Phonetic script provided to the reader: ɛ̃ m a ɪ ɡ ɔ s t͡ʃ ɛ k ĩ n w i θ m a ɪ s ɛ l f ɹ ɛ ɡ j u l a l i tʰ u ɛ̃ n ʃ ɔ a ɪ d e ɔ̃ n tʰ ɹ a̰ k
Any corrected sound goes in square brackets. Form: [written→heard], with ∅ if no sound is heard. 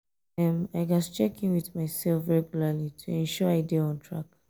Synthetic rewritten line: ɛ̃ m a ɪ ɡ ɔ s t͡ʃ ɛ k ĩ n w i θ m a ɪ s ɛ l f ɹ ɛ ɡ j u l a l i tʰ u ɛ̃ n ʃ ɔ a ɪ d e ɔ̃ n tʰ ɹ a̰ k